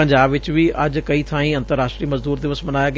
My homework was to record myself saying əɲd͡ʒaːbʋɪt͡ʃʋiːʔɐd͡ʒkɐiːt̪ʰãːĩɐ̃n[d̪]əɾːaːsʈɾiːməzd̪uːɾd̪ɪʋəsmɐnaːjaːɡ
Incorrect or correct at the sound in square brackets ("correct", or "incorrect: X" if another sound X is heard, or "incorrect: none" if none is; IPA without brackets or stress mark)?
incorrect: t̪